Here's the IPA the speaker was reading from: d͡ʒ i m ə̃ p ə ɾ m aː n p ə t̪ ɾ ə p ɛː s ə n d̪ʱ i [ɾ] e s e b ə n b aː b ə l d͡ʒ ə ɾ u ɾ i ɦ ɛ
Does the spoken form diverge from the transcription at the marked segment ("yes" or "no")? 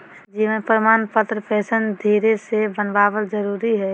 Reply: no